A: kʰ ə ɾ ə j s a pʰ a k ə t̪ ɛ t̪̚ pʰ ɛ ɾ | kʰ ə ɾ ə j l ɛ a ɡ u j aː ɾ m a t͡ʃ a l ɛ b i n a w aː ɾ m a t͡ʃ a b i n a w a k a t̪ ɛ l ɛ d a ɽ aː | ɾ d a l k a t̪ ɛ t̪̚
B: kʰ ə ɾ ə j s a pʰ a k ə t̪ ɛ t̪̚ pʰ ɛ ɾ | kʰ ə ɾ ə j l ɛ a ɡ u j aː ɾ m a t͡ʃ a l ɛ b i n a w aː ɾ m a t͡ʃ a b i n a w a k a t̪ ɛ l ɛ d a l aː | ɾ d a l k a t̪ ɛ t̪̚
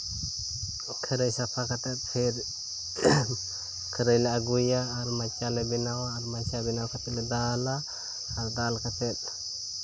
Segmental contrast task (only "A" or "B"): B